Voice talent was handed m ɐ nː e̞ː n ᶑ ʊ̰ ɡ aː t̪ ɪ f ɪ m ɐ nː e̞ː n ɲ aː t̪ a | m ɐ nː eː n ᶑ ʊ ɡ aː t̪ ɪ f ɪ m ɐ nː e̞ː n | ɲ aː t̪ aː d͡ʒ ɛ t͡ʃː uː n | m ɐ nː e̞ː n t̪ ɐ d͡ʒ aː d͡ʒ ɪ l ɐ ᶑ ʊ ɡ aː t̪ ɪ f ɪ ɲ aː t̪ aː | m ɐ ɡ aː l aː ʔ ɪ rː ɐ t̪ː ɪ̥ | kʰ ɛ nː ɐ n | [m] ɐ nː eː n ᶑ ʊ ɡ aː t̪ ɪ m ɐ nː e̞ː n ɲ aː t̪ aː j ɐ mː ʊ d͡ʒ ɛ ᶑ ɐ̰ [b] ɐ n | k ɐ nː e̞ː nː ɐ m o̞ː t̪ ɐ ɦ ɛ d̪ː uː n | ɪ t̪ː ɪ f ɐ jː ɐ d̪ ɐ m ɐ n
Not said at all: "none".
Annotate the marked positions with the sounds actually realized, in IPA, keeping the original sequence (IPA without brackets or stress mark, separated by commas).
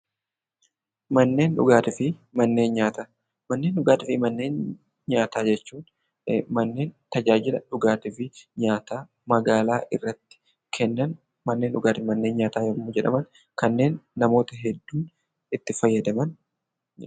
m, m